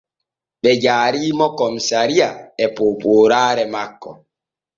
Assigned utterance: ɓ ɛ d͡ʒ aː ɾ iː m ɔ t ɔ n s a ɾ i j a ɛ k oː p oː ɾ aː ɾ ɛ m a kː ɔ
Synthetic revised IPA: ɓ ɛ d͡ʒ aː ɾ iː m ɔ k ɔ m s a ɾ i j a ɛ p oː p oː ɾ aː ɾ ɛ m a kː ɔ